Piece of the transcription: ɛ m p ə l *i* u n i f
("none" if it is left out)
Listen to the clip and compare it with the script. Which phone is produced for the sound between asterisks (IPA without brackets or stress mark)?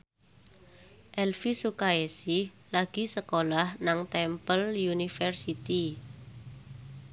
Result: j